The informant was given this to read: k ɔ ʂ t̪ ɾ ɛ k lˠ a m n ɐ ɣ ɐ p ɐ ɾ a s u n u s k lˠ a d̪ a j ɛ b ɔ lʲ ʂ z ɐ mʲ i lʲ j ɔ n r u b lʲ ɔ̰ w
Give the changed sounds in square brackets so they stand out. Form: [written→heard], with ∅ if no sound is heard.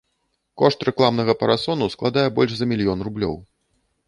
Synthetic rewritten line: k ɔ ʂ t̪ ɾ ɛ k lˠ a m n ɐ ɣ ɐ p ɐ ɾ a s [u→ɔ] n u s k lˠ a d̪ a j ɛ b ɔ lʲ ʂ z ɐ mʲ i lʲ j ɔ n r u b lʲ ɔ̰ w